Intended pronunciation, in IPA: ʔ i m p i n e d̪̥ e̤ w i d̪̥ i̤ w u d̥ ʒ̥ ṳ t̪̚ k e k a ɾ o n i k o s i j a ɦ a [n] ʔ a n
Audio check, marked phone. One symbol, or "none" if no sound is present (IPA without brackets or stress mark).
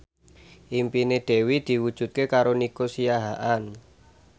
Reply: none